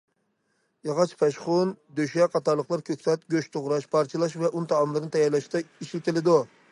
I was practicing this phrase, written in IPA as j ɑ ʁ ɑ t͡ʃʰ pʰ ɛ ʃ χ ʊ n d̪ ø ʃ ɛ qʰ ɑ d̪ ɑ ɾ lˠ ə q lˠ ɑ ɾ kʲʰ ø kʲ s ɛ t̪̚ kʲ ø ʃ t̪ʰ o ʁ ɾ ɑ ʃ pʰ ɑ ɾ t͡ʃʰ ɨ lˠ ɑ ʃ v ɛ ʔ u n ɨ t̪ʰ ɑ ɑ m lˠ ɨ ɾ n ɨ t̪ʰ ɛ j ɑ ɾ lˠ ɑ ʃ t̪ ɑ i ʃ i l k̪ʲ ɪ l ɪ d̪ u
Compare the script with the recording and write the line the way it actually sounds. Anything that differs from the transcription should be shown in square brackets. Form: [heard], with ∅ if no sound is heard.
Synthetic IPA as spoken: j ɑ ʁ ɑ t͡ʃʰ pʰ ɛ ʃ χ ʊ n d̪ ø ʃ ɛ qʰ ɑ [t̪] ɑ ɾ lˠ ə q lˠ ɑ ɾ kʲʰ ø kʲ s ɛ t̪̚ [ɡʲ] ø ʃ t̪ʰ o ʁ ɾ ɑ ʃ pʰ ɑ ɾ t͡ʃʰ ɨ lˠ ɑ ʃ v ɛ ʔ u n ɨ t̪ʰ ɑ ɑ m lˠ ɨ ɾ n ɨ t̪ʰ ɛ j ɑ ɾ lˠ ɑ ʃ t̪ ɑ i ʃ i l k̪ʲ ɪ l ɪ d̪ u